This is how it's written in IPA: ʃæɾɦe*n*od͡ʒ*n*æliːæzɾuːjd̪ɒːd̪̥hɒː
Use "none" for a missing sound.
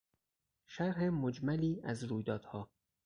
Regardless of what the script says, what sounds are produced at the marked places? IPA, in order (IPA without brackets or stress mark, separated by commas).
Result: m, m